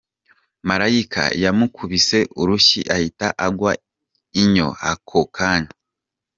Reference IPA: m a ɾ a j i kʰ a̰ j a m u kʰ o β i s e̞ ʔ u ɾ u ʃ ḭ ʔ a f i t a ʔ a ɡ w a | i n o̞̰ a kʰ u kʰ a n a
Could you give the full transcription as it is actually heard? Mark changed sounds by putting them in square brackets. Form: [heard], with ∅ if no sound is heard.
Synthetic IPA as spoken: m a ɾ a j i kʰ a̰ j a m u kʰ [u] β i s e̞ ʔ u ɾ u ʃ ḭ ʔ a [h] i t a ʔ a ɡ w a | i [ɲ] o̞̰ a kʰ [o] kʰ a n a